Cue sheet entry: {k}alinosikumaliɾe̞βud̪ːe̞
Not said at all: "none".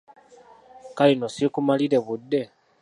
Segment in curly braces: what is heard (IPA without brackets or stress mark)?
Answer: k